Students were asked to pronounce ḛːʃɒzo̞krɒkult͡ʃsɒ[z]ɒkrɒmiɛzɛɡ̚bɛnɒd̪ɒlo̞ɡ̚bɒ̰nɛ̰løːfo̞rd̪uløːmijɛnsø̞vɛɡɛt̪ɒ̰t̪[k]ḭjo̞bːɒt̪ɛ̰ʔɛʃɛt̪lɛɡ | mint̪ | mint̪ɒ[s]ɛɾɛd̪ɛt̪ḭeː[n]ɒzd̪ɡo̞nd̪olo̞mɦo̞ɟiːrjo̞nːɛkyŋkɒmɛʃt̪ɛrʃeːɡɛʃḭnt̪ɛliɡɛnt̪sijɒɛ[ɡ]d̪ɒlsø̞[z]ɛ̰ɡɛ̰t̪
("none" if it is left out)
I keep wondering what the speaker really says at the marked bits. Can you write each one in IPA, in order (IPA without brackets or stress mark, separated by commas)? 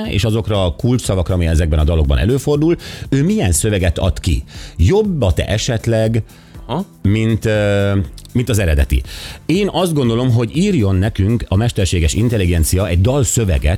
v, k, z, n, ɟ, v